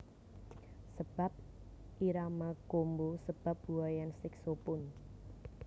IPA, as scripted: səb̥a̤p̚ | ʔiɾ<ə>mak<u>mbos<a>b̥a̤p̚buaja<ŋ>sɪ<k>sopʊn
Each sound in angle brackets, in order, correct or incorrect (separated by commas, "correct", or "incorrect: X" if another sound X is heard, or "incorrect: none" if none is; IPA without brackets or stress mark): incorrect: a, incorrect: o, incorrect: ə, incorrect: n, correct